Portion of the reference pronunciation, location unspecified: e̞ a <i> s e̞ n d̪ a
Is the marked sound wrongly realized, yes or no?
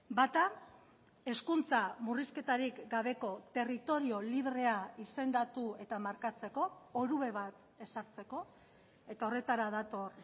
no